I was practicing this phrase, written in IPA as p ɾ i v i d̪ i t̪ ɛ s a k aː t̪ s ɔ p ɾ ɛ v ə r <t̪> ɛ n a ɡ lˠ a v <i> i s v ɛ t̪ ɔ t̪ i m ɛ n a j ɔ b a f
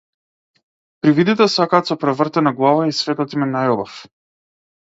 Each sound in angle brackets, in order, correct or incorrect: correct, incorrect

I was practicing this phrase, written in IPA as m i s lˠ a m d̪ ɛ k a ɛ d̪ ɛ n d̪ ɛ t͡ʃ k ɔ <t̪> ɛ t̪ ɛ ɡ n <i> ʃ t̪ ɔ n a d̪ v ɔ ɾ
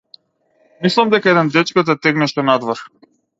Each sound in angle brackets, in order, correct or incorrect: correct, incorrect

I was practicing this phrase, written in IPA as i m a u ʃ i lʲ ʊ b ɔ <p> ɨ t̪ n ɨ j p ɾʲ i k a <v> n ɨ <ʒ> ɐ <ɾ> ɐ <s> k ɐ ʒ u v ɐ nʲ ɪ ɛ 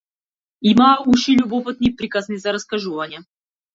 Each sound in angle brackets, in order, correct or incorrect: correct, incorrect, incorrect, correct, correct

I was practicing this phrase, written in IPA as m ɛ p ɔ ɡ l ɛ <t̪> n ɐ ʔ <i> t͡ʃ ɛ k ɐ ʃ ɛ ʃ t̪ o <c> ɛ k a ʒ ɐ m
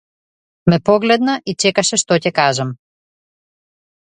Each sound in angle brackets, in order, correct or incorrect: incorrect, correct, correct

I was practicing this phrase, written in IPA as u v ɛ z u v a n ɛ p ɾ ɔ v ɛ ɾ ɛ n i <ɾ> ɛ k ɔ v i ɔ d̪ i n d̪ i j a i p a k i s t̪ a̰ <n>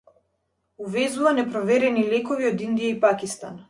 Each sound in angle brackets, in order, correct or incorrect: incorrect, correct

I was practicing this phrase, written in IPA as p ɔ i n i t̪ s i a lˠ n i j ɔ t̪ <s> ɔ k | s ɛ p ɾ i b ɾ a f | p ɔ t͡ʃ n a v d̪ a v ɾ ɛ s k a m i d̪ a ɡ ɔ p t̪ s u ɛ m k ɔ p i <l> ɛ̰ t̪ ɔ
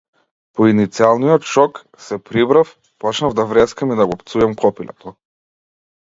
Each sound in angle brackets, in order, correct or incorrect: incorrect, correct

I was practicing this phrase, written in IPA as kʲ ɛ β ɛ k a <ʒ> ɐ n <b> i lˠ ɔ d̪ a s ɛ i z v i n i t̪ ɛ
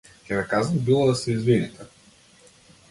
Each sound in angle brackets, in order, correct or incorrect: incorrect, correct

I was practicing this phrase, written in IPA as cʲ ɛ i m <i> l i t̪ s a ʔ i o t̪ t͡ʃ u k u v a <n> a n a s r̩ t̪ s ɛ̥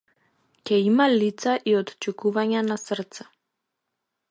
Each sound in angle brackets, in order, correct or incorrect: incorrect, incorrect

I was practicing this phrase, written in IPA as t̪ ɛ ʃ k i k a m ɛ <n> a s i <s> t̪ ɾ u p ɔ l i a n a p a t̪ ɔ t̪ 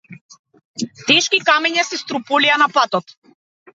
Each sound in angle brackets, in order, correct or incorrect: incorrect, correct

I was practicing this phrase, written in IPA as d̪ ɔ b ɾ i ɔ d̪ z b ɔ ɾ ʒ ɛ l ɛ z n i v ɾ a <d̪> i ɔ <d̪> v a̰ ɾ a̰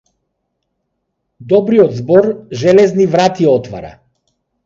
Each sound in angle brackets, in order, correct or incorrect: incorrect, incorrect

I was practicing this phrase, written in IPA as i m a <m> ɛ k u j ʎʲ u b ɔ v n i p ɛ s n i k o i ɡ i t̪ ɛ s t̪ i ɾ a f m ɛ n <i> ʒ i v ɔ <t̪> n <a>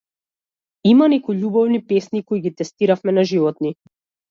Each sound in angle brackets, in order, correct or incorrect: incorrect, incorrect, correct, incorrect

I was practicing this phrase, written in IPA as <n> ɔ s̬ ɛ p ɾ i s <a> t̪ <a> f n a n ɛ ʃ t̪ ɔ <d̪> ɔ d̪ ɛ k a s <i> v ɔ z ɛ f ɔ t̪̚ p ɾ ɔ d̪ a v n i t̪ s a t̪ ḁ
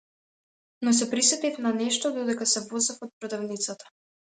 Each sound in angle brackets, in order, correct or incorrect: correct, incorrect, incorrect, correct, incorrect

